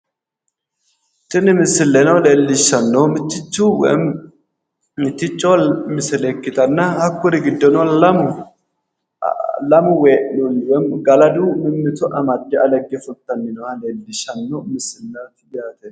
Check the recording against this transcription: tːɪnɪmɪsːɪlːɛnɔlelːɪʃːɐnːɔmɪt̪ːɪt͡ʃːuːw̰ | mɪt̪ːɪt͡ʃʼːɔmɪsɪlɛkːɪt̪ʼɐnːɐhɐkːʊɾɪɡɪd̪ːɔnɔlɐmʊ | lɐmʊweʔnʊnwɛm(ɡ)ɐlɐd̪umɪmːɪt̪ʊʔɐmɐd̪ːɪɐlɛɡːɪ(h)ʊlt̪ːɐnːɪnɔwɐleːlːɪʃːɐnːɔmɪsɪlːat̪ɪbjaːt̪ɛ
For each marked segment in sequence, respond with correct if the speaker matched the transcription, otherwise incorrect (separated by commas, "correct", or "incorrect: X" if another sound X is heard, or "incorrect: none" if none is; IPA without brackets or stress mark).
correct, incorrect: f